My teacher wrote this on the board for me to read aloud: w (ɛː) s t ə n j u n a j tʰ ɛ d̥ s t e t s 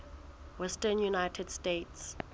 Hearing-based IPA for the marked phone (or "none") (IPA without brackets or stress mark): ɛ